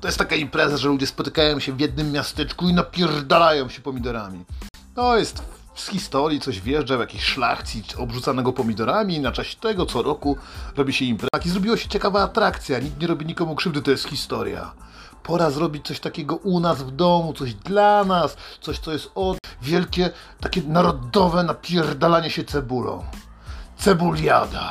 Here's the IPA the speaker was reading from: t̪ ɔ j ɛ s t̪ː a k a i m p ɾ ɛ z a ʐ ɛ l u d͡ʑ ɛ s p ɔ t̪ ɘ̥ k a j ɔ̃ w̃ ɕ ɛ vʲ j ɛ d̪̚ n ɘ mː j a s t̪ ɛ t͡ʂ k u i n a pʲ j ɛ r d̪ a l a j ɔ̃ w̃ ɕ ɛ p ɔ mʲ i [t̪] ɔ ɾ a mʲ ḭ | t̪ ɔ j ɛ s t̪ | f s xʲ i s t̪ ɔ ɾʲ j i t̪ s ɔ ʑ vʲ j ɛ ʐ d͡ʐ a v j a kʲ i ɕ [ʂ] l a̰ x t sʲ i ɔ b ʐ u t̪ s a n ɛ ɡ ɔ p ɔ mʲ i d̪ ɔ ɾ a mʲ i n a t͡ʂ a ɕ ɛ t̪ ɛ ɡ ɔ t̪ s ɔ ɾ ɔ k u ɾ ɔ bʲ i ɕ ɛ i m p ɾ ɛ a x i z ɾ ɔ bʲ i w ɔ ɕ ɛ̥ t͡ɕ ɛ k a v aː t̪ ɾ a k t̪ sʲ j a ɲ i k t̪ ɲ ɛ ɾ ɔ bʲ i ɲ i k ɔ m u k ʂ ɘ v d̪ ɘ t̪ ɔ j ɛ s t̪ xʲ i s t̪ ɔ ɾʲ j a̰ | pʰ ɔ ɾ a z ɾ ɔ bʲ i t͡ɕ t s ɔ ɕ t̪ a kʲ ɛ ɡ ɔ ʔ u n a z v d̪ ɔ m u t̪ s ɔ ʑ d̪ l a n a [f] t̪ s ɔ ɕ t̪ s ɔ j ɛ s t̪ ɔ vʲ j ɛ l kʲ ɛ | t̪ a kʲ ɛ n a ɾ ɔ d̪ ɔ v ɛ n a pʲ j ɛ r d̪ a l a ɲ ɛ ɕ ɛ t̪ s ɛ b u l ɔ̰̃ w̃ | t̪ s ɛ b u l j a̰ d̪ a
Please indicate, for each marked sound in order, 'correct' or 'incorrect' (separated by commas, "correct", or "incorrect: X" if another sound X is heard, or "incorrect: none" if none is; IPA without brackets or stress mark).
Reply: incorrect: d̪, correct, incorrect: s